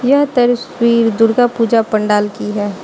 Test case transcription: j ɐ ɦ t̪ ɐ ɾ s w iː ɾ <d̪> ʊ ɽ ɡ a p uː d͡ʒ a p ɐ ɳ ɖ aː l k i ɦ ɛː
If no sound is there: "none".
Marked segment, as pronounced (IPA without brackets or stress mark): d̪